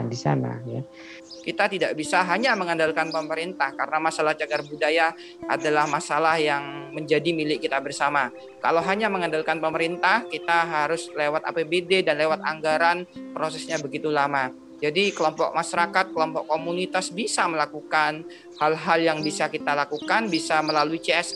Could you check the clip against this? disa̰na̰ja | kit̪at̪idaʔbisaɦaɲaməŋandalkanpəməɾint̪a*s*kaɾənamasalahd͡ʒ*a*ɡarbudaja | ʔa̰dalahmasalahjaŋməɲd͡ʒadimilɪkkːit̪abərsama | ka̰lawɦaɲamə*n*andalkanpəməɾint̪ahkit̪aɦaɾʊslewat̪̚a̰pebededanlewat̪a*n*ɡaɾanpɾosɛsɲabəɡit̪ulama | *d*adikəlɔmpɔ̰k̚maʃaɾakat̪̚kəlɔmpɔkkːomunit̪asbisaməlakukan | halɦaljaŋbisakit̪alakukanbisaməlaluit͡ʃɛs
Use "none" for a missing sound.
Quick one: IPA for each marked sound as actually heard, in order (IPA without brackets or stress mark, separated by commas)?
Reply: h, a, ŋ, ŋ, d͡ʒ